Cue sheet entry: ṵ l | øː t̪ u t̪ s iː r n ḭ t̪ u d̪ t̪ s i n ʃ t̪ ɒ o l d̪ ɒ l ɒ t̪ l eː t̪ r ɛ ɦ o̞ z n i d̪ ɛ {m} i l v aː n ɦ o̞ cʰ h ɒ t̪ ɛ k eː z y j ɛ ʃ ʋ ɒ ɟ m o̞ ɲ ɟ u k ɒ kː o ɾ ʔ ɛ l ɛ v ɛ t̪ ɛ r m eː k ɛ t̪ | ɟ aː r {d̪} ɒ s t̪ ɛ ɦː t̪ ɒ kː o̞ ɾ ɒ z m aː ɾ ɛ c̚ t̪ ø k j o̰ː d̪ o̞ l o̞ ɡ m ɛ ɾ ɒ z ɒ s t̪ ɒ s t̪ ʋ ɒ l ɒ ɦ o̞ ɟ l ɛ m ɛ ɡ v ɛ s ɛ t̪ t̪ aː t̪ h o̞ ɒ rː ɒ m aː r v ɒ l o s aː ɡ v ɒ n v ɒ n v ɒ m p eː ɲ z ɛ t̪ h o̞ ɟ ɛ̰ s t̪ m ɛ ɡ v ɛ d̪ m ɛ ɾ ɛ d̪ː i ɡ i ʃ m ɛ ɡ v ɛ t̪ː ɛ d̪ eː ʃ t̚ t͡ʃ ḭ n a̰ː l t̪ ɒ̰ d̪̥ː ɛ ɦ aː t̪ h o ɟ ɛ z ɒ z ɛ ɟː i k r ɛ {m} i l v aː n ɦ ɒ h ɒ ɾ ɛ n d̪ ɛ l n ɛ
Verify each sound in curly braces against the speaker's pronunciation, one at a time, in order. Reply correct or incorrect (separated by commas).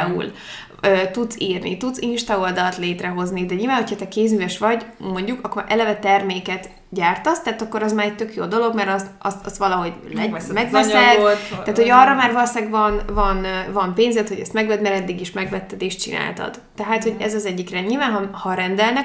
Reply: incorrect, incorrect, incorrect